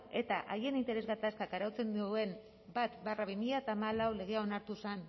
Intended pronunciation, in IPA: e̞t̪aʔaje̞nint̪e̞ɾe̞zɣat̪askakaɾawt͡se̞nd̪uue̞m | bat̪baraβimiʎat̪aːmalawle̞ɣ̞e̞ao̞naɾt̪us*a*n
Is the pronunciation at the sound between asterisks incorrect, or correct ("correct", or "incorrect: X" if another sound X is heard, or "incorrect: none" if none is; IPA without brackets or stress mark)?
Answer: correct